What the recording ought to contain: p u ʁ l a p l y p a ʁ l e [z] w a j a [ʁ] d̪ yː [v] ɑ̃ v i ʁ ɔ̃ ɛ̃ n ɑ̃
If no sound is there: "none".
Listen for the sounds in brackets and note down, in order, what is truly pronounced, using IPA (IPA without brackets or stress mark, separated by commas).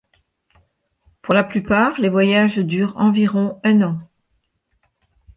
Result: v, ʒ, ʁ